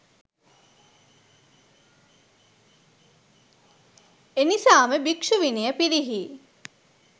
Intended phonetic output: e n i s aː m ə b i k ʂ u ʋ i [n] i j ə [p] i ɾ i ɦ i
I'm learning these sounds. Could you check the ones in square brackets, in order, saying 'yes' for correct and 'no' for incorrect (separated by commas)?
yes, yes